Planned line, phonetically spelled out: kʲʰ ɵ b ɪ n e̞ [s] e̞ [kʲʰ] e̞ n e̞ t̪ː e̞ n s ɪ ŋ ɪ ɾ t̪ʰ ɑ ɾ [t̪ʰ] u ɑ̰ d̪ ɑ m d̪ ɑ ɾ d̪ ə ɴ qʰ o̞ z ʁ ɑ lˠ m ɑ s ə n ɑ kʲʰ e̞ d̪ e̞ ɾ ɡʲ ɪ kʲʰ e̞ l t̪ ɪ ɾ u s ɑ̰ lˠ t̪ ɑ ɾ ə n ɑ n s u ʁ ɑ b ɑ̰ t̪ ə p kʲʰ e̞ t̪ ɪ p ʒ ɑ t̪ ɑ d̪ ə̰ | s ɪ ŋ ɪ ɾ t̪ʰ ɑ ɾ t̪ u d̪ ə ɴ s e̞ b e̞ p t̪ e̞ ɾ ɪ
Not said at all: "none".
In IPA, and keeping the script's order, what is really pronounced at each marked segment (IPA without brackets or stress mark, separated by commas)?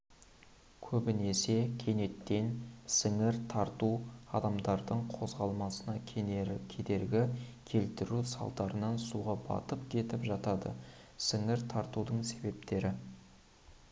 s, kʲʰ, t̪